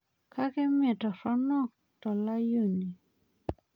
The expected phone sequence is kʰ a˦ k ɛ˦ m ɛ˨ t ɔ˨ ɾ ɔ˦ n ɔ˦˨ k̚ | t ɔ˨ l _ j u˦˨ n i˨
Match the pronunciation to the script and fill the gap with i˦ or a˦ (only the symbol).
a˦